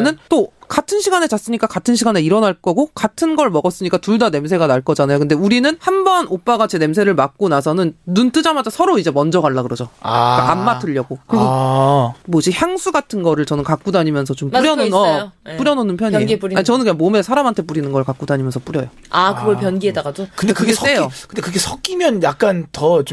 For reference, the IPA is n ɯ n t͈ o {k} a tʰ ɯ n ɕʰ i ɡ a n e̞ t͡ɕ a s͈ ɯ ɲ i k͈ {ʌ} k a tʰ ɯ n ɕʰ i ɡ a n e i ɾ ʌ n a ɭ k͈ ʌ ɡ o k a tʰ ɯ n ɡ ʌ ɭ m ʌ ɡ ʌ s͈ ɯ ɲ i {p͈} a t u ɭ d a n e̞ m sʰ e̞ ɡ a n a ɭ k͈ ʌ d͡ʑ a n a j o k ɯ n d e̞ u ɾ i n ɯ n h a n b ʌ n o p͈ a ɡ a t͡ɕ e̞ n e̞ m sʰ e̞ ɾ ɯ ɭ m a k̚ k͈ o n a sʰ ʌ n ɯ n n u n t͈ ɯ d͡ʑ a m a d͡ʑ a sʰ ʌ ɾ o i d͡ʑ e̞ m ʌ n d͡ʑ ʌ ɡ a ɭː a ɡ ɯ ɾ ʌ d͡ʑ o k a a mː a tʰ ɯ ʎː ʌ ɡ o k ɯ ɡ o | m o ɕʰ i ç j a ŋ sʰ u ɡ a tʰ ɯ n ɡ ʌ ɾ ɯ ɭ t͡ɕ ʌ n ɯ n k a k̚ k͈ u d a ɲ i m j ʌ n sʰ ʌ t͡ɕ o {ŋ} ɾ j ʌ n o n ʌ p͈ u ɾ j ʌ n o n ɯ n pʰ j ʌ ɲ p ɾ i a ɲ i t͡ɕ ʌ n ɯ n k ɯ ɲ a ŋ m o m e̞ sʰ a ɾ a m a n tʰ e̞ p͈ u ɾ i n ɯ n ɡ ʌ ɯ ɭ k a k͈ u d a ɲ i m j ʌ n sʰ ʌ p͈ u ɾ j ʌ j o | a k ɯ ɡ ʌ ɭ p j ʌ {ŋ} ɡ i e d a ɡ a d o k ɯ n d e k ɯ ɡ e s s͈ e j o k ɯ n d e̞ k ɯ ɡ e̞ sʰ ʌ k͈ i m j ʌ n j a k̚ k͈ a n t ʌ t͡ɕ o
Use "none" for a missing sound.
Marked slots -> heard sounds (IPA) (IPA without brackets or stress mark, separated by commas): k, a, k͈, m, n